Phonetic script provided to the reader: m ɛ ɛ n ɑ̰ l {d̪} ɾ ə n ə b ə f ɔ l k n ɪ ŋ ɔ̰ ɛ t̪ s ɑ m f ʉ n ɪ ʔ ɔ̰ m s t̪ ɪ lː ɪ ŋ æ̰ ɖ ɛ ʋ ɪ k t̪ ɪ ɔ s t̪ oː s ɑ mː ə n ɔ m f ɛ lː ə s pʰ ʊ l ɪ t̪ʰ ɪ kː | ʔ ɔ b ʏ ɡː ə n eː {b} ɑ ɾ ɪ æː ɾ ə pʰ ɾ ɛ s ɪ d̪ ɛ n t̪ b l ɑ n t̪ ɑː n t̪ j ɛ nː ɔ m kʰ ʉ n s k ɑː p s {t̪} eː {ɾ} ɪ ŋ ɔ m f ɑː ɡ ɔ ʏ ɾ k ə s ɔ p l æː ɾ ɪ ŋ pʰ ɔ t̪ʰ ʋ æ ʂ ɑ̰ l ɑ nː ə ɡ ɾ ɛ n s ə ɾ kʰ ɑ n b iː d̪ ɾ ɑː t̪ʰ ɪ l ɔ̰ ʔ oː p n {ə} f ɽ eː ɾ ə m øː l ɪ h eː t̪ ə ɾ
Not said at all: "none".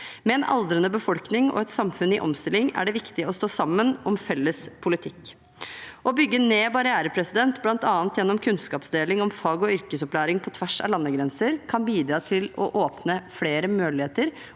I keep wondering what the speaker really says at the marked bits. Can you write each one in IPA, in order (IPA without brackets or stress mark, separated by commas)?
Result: d̪, b, d̪, l, ə